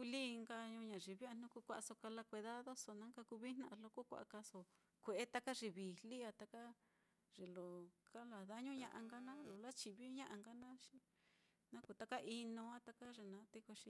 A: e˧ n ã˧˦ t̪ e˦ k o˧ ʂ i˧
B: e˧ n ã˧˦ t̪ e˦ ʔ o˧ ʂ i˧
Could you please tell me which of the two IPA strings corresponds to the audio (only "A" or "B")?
A